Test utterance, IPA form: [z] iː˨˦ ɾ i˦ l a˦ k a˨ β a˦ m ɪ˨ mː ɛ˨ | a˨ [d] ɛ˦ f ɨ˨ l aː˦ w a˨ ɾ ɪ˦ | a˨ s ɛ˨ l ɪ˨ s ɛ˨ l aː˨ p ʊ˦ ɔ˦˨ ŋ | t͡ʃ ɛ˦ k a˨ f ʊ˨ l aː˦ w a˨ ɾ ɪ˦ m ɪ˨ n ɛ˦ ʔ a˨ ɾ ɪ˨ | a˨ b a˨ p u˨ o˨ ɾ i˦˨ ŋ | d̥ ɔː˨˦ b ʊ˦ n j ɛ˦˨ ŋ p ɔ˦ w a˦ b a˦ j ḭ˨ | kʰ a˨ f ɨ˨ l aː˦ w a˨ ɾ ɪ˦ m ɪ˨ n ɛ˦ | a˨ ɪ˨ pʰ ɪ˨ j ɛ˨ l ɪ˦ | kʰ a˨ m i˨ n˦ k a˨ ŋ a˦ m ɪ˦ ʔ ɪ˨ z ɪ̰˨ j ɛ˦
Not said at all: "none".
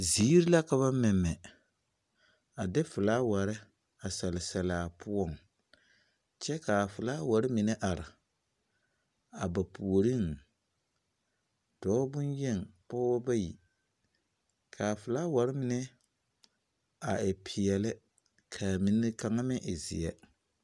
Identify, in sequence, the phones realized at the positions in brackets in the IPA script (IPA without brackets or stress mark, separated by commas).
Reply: z, d